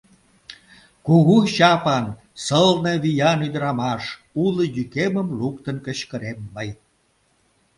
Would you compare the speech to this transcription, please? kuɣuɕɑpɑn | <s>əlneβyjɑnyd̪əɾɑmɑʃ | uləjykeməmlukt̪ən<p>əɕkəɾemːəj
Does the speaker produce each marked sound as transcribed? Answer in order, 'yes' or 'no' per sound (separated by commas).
yes, no